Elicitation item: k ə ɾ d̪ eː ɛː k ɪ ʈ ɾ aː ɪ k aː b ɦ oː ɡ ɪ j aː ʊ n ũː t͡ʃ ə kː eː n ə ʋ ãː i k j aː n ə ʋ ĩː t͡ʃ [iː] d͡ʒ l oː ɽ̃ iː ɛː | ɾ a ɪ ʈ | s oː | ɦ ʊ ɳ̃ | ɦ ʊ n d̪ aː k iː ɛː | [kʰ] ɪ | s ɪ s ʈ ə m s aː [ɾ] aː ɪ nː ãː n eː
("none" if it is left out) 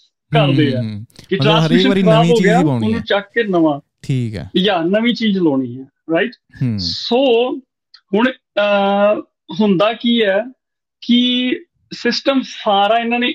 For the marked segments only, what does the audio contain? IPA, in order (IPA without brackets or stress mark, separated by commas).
iː, k, ɾ